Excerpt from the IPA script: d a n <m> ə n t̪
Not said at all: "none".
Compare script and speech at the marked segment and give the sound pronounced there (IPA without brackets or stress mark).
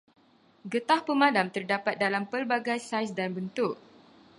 b